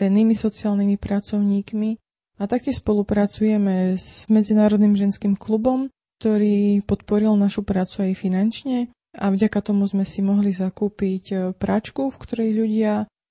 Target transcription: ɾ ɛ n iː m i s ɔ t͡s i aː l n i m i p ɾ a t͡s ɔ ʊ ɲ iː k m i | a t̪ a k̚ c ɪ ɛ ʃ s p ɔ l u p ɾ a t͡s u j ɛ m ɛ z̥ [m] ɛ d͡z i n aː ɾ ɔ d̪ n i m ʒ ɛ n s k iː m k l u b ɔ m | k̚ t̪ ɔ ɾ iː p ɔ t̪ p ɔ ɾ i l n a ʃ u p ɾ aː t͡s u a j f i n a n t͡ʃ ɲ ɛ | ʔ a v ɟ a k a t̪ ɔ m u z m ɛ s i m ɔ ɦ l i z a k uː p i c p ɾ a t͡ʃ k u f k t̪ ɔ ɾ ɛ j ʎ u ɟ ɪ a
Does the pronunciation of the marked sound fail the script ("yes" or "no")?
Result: no